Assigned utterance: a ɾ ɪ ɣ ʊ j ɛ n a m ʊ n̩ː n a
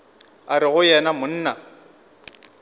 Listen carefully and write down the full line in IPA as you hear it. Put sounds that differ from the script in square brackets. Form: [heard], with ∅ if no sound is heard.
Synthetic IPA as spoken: a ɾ ɪ ɣ ʊ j ɛ n a m ʊ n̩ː n a